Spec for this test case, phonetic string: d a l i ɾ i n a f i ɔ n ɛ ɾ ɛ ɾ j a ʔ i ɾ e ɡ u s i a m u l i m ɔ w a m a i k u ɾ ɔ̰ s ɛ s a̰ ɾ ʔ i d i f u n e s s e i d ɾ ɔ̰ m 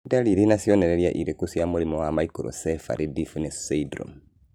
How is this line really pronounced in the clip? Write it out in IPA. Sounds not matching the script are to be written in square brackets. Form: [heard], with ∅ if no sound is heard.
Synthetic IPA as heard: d a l i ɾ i n a [s] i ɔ n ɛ ɾ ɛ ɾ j a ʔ i ɾ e [k] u s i a m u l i m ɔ w a m a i k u ɾ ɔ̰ s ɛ [f] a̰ ɾ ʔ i d i f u n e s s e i d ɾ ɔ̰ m